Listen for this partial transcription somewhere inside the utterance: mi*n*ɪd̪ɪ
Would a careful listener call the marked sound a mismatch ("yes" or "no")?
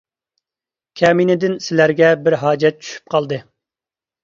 no